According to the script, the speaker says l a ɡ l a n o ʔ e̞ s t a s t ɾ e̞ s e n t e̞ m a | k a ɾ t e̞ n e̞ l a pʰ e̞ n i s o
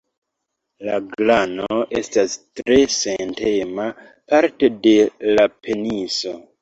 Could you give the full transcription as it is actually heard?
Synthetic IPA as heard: l a ɡ l a n o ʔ e̞ s t a s t ɾ e̞ s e n t e̞ m a | p a ɾ t e̞ d e̞ l a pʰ e̞ n i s o